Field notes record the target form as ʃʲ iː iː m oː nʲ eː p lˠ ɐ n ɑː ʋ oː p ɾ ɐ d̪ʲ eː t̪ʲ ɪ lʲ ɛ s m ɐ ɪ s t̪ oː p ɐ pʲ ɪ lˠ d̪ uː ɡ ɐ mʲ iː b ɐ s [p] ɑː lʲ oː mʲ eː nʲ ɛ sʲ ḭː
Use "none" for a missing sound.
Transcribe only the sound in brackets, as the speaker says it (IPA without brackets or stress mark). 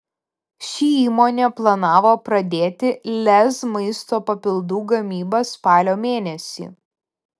p